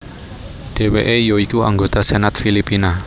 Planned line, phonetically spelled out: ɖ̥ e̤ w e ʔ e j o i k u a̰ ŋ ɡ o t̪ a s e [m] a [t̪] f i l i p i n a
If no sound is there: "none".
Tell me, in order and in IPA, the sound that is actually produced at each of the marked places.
n, t̪

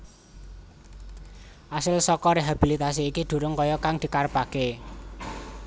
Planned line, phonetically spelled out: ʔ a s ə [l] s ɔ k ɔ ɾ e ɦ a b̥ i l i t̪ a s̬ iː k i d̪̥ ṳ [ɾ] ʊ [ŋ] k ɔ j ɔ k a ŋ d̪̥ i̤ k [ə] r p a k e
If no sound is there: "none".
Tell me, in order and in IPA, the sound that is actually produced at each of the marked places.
l, ɾ, ŋ, a

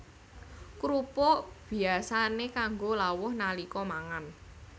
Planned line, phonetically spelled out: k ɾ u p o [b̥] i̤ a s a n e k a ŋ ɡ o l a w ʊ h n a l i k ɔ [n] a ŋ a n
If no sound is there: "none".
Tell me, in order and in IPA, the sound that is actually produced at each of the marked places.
b̥, m

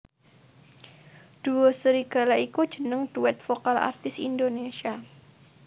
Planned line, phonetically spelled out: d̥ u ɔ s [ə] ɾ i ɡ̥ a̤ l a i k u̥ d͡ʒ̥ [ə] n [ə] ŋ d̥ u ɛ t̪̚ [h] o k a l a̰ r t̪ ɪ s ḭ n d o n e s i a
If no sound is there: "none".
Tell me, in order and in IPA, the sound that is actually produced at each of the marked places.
ə, ə, ə, f

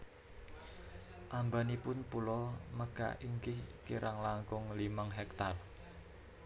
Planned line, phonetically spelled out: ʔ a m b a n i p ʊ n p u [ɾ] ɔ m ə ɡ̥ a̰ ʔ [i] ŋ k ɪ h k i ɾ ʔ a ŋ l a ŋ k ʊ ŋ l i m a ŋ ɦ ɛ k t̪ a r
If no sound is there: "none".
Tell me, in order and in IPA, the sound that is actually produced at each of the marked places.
l, i

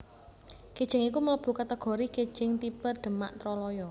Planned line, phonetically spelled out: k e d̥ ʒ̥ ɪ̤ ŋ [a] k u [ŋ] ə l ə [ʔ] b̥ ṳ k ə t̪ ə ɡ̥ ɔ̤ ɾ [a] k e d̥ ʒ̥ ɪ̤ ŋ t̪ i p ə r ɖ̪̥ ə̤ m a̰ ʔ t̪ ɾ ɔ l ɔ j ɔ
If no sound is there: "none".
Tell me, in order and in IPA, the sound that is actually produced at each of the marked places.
i, m, none, i

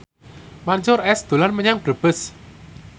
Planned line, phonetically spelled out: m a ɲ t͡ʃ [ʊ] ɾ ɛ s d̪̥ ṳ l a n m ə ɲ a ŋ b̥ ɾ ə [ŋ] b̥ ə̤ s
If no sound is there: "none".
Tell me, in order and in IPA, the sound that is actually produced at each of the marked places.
ʊ, none

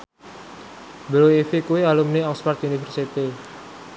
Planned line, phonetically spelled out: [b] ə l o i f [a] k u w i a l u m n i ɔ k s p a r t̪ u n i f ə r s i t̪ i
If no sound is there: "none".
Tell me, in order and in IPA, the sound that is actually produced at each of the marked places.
b, i

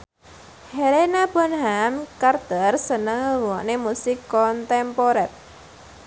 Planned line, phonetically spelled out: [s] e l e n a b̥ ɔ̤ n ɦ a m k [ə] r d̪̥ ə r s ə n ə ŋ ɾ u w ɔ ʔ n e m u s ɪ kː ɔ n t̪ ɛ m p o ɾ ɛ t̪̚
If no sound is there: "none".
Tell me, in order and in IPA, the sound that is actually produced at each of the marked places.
h, a

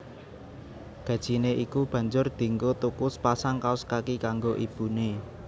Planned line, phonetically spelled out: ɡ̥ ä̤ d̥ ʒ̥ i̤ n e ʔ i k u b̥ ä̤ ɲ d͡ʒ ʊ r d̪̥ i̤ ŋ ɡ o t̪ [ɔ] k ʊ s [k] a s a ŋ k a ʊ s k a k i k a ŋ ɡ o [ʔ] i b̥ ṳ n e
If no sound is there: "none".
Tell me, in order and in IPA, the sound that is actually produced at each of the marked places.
u, p, ʔ

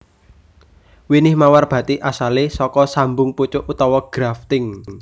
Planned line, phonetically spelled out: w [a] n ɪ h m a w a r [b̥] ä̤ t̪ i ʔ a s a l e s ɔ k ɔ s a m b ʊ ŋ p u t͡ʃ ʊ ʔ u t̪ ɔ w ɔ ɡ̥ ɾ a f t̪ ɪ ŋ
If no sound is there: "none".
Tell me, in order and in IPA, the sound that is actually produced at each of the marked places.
i, b̥

